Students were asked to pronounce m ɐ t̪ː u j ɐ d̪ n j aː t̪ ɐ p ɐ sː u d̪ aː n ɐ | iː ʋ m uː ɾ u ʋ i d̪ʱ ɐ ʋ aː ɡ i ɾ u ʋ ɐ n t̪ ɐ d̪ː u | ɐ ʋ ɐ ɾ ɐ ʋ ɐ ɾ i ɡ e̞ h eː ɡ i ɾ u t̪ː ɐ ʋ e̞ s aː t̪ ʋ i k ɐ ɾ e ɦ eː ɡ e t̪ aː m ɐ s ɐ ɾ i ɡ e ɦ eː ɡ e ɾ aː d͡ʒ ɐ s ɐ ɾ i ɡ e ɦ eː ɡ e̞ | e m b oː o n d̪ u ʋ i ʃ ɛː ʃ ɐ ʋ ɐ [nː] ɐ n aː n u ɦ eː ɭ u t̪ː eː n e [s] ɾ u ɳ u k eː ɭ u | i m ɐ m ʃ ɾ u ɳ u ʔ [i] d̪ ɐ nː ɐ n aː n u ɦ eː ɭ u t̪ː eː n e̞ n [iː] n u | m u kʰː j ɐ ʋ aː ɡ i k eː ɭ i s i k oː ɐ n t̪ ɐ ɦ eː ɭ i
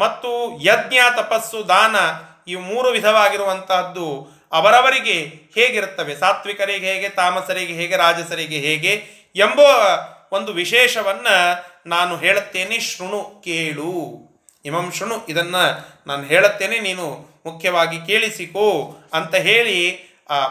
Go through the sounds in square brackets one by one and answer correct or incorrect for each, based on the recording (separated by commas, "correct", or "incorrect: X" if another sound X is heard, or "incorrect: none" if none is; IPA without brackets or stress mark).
correct, incorrect: ʃ, correct, correct